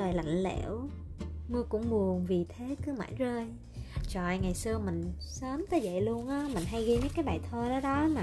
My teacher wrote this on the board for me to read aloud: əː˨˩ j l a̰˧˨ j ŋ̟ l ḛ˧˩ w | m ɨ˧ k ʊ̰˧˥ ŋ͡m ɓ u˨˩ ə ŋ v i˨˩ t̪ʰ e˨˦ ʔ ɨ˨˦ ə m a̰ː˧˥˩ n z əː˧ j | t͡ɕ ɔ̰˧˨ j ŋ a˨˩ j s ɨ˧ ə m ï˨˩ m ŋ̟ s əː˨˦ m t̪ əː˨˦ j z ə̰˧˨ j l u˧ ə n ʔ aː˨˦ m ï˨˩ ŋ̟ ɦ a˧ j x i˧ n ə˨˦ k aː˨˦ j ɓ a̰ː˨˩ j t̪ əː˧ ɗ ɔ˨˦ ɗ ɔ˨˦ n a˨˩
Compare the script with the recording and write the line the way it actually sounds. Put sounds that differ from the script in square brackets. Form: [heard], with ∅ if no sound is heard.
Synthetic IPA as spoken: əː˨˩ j l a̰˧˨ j ŋ̟ l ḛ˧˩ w | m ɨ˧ k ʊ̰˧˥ ŋ͡m ɓ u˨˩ ə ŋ v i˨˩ t̪ʰ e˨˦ [k] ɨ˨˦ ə m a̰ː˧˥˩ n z əː˧ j | t͡ɕ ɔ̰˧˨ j ŋ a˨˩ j s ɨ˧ ə m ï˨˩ [∅] ŋ̟ s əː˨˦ m t̪ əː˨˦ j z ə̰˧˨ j l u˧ ə n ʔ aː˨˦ m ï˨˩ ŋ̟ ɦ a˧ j [ɣ] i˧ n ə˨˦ k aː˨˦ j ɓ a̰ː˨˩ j [t̪ʰ] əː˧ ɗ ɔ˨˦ ɗ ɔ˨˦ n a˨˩